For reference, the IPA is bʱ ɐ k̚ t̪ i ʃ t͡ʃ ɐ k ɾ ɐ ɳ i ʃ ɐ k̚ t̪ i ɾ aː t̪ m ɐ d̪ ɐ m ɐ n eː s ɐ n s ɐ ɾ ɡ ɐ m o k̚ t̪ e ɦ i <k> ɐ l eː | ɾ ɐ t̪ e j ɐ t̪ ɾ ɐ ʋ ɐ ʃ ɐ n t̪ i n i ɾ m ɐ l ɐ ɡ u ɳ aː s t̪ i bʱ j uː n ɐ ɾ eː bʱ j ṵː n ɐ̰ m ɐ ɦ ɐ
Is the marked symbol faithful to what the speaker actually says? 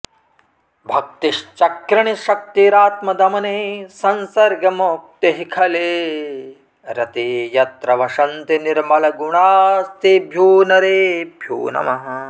no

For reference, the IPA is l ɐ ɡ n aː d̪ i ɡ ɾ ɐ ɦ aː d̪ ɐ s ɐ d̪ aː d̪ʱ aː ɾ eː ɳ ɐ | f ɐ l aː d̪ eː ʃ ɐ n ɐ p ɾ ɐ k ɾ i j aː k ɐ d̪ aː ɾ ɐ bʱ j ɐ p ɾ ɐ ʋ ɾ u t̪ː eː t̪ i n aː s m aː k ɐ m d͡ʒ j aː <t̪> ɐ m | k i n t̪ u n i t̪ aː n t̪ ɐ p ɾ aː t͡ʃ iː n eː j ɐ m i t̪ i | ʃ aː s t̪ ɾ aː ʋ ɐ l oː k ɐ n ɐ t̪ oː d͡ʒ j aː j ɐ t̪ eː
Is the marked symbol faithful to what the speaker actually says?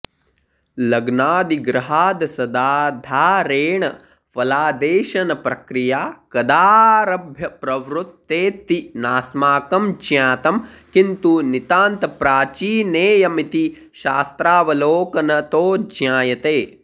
yes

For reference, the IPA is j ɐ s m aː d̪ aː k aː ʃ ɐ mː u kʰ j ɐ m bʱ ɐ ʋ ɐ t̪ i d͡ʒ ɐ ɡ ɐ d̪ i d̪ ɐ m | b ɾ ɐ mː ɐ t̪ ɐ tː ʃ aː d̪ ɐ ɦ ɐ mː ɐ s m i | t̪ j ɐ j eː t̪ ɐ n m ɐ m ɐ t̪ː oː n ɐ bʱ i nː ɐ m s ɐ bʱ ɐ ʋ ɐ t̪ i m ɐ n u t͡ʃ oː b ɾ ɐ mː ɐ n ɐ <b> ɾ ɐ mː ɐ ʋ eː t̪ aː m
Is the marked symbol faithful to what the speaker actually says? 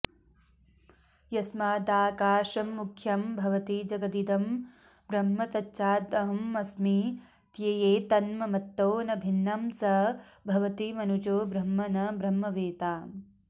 yes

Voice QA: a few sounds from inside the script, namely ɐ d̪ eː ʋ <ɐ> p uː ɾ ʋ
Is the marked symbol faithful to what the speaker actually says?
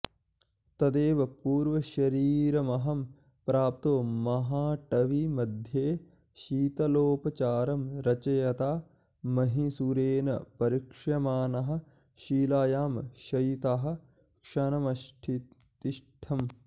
yes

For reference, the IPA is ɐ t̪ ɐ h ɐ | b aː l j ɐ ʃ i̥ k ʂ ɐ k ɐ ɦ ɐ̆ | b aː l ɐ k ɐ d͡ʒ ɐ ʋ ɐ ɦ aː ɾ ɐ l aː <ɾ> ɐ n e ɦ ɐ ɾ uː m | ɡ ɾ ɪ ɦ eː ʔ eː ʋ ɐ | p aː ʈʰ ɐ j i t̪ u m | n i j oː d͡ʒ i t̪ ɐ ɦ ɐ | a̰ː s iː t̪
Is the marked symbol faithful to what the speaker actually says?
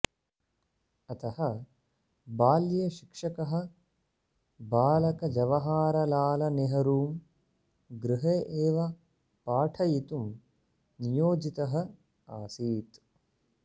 no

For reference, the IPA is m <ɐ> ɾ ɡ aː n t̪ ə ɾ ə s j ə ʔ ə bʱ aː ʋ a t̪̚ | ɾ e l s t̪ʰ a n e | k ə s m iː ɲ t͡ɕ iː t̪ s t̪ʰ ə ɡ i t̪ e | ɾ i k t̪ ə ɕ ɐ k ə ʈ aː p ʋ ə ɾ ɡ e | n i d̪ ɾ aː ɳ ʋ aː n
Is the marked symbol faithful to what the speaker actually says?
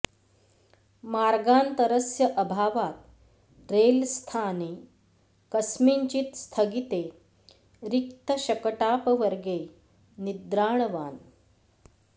no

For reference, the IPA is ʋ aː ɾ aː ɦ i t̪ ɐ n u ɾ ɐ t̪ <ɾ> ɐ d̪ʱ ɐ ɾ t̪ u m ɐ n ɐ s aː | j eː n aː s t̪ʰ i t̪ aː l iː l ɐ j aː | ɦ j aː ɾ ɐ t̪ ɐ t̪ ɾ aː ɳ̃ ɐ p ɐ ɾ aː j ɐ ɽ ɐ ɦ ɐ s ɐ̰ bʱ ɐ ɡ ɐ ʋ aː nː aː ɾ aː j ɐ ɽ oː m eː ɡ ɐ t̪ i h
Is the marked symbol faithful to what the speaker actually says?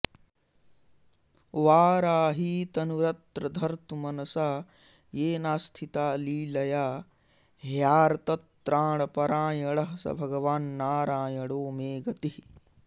yes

